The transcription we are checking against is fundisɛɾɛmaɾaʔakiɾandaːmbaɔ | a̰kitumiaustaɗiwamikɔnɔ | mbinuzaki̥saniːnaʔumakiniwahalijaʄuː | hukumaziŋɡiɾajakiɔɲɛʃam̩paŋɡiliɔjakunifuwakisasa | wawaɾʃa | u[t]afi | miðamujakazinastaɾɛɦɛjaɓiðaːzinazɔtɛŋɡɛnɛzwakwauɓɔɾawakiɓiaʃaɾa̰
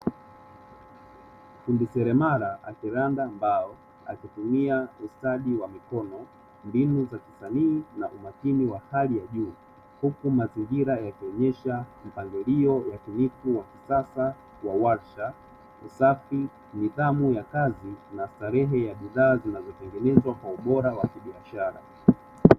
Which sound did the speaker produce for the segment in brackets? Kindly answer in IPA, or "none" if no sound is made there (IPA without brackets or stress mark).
s